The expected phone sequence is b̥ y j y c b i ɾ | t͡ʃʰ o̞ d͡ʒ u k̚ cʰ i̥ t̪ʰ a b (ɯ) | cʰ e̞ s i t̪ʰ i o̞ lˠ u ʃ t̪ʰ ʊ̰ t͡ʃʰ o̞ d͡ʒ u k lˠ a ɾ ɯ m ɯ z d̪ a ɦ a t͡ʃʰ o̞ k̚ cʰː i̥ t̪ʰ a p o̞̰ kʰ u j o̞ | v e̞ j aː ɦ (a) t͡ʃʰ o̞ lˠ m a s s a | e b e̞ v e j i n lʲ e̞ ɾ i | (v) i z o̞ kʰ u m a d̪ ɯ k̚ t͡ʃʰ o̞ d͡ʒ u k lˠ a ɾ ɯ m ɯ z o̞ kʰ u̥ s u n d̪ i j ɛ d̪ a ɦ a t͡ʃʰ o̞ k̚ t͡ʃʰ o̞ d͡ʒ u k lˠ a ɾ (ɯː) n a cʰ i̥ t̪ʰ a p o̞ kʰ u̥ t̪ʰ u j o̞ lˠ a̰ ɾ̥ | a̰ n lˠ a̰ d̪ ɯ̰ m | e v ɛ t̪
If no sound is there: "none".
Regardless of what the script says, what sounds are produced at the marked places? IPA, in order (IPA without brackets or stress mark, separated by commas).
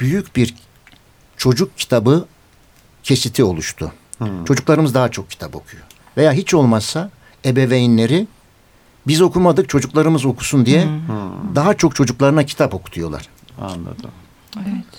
ɯ, i, b, ɯ